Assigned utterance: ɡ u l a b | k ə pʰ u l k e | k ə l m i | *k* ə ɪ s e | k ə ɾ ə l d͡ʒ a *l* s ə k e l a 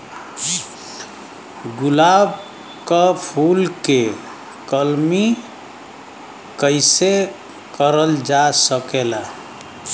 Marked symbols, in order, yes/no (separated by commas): yes, no